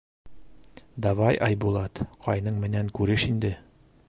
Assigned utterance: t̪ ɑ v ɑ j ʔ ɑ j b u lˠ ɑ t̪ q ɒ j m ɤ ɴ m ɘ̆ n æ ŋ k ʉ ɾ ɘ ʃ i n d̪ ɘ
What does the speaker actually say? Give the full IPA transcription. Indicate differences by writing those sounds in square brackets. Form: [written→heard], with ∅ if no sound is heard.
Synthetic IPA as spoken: [t̪→d̪] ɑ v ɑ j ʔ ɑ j b u lˠ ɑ t̪ q ɒ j [m→n] ɤ ɴ m ɘ̆ n æ ŋ k ʉ ɾ ɘ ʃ i n d̪ ɘ